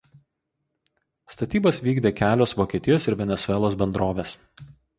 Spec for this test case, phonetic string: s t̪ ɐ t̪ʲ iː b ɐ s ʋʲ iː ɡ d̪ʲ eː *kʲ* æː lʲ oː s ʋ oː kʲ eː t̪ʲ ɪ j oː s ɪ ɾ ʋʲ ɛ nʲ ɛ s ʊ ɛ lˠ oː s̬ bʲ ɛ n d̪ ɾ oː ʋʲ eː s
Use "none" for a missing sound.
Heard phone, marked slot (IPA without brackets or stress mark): kʲ